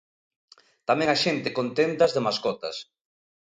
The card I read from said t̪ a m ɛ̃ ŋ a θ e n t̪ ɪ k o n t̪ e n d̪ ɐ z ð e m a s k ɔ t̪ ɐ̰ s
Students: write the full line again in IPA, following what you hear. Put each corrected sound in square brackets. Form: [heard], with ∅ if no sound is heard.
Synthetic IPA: t̪ a m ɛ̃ ŋ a [ʃ] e n t̪ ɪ k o n t̪ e n [t̪] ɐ z ð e m a s k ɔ t̪ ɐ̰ s